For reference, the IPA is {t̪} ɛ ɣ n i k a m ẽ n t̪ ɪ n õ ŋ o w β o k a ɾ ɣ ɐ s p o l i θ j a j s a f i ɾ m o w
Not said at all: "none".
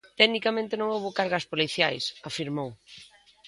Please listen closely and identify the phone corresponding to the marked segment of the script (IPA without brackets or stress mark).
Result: t̪